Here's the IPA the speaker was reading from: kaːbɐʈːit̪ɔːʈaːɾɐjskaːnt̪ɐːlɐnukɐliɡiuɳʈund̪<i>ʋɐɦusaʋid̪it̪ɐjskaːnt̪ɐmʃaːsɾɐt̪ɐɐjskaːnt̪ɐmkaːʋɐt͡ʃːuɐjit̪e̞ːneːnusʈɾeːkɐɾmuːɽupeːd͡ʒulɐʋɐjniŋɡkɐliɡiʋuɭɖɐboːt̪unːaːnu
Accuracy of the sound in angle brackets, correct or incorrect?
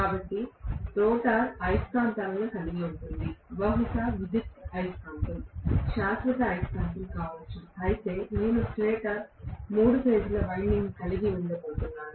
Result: correct